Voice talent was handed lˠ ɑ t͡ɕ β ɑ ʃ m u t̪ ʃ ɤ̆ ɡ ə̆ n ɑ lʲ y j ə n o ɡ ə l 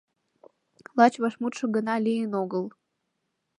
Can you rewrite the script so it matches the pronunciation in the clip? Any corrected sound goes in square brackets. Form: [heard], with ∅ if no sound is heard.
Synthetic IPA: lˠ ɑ t͡ɕ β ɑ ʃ m u t̪ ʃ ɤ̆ ɡ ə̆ n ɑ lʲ [i] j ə n o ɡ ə l